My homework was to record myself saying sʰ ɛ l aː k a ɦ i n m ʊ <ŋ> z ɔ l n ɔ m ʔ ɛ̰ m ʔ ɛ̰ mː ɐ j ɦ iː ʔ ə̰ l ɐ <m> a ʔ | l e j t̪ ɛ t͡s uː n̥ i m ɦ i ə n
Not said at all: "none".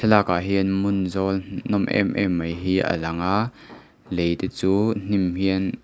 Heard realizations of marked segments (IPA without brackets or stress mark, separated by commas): n, ŋ